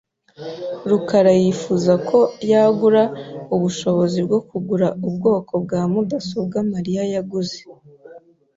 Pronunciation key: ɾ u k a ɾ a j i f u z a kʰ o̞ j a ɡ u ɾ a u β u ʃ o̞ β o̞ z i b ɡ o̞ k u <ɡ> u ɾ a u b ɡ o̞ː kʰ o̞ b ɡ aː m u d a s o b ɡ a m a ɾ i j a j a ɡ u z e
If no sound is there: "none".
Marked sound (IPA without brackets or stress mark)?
ɡ